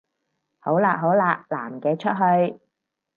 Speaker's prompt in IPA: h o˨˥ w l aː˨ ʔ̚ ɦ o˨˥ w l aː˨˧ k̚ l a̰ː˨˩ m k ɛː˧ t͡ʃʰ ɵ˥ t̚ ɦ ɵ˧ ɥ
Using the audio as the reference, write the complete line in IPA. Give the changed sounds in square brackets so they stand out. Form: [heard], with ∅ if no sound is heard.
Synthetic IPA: h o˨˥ w l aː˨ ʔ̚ ɦ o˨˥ w l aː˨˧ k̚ l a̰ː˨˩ m k ɛː˧ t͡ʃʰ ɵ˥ t̚ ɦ ɵ˧ ɥ